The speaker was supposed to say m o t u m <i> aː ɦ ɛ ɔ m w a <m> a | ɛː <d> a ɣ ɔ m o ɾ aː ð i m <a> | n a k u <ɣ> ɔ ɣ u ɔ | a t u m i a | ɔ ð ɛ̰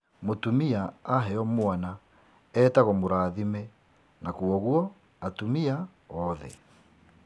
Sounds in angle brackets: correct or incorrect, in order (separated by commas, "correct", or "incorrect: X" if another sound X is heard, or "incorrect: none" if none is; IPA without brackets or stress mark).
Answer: correct, incorrect: n, incorrect: t, incorrect: ɛ, incorrect: none